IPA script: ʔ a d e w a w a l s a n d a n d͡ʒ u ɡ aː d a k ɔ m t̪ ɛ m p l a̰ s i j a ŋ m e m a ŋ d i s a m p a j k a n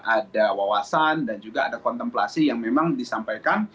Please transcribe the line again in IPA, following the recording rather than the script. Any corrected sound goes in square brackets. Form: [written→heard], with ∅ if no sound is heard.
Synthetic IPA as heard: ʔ a d [e→a] w a w a [l→∅] s a n d a n d͡ʒ u ɡ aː d a k ɔ [m→n] t̪ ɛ m p l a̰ s i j a ŋ m e m a ŋ d i s a m p a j k a n